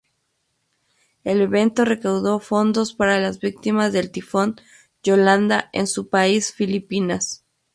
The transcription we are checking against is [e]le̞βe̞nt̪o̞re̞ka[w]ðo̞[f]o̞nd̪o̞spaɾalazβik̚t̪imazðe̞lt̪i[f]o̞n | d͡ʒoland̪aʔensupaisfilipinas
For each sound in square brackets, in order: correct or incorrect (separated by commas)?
correct, correct, correct, correct